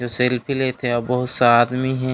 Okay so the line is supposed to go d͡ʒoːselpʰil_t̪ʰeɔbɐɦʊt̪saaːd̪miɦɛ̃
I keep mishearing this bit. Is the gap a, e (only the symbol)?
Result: e